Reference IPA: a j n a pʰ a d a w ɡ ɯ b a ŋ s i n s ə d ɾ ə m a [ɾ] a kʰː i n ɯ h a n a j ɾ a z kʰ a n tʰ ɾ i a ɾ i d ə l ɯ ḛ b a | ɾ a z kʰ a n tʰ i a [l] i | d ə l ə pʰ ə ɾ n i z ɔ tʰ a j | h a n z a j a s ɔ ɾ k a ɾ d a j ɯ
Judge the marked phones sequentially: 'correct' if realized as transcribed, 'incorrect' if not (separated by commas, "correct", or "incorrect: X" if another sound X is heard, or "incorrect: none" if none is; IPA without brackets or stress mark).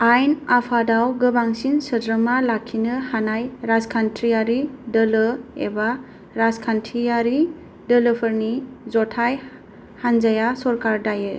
incorrect: l, incorrect: ɾ